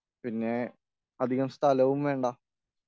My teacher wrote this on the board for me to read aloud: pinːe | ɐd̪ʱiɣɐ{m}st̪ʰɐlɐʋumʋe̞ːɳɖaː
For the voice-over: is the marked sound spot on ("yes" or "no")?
yes